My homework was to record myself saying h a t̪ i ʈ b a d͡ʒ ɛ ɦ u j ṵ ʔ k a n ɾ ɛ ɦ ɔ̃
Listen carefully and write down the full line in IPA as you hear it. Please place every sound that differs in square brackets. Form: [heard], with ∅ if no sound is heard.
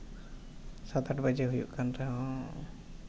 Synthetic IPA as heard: [s] a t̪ [a] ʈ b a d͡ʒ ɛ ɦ u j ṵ ʔ k a n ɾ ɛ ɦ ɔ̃